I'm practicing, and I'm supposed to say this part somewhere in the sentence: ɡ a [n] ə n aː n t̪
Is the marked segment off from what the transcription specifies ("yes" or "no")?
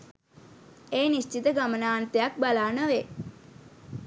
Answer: yes